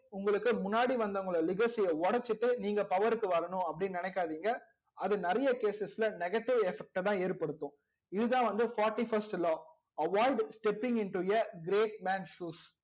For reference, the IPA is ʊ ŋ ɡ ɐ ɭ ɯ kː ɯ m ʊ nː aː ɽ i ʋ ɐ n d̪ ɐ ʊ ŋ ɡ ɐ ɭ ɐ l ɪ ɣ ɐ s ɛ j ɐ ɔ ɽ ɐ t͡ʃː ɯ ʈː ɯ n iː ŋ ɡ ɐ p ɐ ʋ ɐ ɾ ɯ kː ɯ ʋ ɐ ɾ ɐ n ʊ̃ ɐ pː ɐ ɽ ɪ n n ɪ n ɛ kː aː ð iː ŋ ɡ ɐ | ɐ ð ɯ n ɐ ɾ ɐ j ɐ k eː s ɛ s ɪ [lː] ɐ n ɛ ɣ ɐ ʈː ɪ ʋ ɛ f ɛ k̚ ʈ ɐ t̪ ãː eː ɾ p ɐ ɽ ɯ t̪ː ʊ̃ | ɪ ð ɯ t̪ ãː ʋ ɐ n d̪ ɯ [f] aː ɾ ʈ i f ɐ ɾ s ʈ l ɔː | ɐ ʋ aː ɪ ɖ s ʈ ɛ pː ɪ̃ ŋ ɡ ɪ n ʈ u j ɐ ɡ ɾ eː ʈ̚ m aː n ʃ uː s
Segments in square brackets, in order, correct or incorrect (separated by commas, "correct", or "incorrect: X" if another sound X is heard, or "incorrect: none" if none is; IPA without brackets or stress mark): incorrect: l, correct